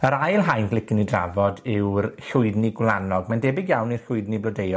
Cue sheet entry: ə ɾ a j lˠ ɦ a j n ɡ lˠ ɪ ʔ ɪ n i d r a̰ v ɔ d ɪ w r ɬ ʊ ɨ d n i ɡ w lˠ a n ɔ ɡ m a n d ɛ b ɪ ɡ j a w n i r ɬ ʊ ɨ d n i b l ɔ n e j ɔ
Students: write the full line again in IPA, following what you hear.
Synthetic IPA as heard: ə ɾ a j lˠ ɦ a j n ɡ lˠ ɪ k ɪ n i d r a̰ v ɔ d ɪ w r ɬ ʊ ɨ d n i ɡ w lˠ a n ɔ ɡ m a n d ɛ b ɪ ɡ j a w n i r ɬ ʊ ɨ d n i b l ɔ d e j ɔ